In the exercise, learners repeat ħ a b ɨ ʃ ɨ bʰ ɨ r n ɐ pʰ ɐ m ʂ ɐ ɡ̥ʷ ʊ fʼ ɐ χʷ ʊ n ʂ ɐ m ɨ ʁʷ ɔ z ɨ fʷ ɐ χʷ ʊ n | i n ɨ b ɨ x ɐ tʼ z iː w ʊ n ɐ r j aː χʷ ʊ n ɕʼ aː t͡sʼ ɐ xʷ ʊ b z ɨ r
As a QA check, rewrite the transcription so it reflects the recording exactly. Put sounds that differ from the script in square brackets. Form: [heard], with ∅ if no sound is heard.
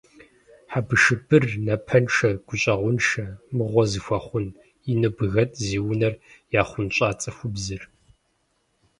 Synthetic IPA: ħ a b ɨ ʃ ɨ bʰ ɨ r n ɐ pʰ ɐ [n] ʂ ɐ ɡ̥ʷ ʊ [ɕʼ] ɐ [ʁʷ] ʊ n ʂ ɐ m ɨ ʁʷ ɔ z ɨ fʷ ɐ χʷ ʊ n | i n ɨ b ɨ [ɣ] ɐ tʼ z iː w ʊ n ɐ r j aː χʷ ʊ n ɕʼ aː t͡sʼ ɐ xʷ ʊ b z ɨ r

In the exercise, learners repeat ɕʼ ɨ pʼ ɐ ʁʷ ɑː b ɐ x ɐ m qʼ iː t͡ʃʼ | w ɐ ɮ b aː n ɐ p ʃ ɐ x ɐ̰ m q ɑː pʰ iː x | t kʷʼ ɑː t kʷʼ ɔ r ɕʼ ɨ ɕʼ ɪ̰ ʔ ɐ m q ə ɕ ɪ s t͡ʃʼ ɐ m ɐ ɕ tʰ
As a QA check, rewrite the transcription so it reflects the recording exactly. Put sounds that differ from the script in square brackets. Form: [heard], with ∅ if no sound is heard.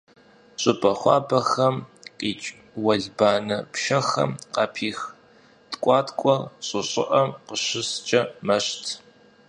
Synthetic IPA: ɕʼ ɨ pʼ ɐ [χʷ] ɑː b ɐ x ɐ m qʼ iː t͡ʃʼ | w ɐ ɮ b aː n ɐ p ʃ ɐ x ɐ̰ m q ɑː pʰ iː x | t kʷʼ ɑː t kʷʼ ɔ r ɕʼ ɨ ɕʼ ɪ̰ ʔ ɐ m q ə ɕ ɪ s t͡ʃʼ ɐ m ɐ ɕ tʰ

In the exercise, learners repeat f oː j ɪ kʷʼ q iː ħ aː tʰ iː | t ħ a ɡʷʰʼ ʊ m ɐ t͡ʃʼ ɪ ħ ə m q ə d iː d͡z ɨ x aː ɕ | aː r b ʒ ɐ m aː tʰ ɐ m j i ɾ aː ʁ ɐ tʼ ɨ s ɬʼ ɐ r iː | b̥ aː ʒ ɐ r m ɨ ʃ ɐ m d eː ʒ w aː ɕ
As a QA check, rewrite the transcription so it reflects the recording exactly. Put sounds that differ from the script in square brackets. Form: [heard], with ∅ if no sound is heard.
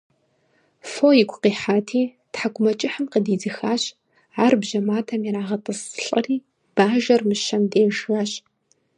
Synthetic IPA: f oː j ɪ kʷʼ q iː ħ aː tʰ iː | t ħ a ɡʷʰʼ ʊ m ɐ t͡ʃʼ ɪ ħ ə m q ə d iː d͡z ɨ x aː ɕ | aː r b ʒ ɐ m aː tʰ ɐ m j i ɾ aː ʁ ɐ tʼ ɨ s ɬʼ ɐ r iː | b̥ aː ʒ ɐ r m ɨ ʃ ɐ m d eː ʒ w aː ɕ

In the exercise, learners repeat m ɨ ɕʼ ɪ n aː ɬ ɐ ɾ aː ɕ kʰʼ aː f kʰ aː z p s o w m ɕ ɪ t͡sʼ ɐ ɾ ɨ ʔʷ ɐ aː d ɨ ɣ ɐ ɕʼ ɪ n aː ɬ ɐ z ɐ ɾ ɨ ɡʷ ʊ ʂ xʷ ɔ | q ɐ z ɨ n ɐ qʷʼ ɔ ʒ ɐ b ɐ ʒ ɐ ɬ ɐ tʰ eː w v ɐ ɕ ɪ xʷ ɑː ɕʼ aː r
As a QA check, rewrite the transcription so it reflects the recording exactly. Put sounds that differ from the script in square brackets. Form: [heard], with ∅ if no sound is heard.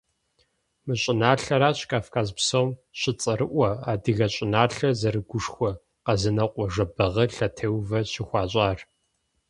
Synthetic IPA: m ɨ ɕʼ ɪ n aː ɬ ɐ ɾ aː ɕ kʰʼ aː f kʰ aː z p s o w m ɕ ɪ t͡sʼ ɐ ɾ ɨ ʔʷ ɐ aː d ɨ ɣ ɐ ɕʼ ɪ n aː ɬ ɐ z ɐ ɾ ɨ ɡʷ ʊ ʂ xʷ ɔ | q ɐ z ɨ n ɐ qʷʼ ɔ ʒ ɐ b ɐ [ʁ] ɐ ɬ ɐ tʰ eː w v ɐ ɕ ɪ xʷ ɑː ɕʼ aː r

